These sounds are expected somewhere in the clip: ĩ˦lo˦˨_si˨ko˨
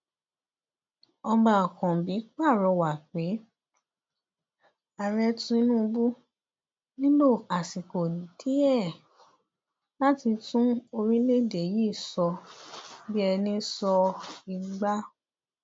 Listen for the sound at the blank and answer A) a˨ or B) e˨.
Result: A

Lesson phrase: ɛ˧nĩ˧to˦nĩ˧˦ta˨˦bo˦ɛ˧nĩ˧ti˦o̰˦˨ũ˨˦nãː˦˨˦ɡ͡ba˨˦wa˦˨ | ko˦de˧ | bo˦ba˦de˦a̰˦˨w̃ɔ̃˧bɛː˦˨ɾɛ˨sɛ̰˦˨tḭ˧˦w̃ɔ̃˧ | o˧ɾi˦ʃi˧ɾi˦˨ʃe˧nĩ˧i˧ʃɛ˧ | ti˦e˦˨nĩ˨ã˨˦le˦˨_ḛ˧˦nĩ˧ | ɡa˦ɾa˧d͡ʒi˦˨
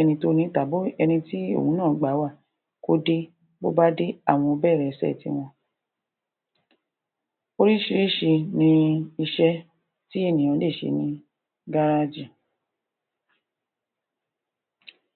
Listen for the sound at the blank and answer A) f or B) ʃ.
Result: B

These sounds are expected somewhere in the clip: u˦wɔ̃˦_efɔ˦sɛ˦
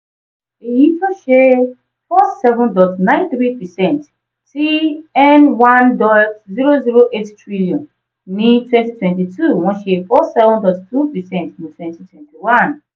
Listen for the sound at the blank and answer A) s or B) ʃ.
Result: B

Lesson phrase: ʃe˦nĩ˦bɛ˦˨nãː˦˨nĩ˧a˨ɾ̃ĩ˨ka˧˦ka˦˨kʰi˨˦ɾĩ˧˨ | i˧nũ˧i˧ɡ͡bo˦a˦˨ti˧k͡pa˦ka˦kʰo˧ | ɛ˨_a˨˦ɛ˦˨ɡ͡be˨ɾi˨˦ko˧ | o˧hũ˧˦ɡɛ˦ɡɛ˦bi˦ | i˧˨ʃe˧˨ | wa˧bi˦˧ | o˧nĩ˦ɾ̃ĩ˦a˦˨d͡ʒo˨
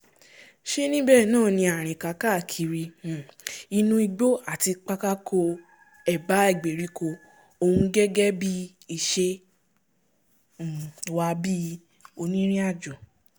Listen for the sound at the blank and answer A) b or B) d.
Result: A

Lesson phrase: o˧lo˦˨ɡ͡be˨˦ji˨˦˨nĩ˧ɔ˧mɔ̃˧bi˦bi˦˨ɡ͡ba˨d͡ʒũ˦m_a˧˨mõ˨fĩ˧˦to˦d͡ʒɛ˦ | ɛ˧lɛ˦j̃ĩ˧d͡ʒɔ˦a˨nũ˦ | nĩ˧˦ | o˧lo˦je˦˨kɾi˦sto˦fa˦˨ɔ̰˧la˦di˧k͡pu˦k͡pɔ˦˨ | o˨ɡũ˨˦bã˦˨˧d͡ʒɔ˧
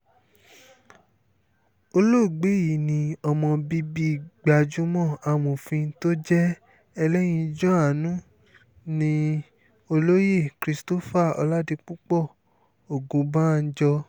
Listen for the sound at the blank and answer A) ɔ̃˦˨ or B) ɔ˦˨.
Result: A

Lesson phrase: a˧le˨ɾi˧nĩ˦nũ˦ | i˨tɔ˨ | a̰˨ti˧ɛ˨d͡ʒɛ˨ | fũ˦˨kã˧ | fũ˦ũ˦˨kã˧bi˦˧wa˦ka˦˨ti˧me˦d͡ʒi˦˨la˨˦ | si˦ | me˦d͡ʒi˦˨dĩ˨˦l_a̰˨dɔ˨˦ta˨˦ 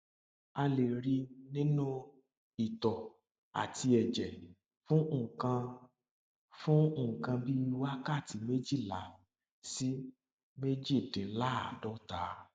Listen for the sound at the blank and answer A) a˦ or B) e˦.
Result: A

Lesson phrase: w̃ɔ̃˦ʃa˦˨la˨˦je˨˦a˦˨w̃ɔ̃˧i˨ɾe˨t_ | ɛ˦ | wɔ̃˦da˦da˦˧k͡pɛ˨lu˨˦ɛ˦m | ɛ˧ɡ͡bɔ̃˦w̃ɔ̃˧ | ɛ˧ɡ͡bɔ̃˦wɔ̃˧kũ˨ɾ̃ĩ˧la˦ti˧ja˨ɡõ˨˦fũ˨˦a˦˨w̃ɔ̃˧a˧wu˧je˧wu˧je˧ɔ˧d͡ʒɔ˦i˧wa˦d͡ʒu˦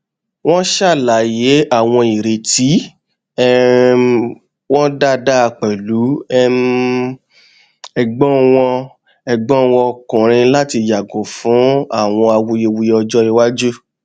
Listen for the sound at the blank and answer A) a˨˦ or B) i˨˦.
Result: B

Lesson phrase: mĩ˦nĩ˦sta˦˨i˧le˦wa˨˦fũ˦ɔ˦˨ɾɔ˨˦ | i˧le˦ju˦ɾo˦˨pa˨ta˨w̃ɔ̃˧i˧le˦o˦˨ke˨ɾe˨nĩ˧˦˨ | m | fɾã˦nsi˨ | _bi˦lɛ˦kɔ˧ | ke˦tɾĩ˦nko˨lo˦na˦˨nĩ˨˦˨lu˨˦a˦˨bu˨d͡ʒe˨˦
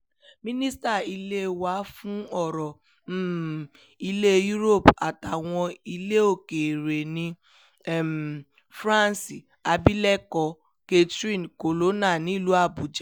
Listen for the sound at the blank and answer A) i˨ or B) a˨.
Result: B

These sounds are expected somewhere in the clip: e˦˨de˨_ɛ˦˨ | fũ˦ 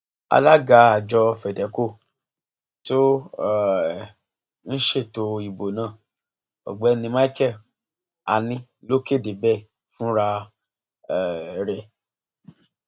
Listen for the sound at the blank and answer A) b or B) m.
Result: A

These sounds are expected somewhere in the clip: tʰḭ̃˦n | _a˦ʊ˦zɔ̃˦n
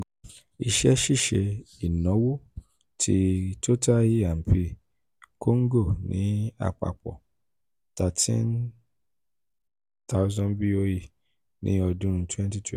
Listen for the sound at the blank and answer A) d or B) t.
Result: B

